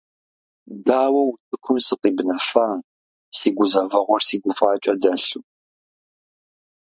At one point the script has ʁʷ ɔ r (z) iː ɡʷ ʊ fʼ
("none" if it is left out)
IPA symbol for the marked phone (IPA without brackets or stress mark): s